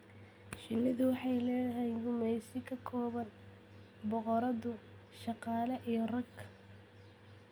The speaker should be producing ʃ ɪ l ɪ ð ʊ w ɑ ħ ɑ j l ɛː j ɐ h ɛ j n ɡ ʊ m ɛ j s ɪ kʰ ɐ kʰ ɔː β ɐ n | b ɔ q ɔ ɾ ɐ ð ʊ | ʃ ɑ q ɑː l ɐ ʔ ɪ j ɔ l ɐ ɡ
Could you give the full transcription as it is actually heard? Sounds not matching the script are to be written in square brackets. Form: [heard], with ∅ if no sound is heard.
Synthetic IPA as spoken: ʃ ɪ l ɪ ð ʊ w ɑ ħ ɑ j l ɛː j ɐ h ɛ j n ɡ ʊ m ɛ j s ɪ kʰ ɐ kʰ ɔː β ɐ n | b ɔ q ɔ ɾ ɐ ð ʊ | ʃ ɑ q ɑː l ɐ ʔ [i] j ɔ [r] ɐ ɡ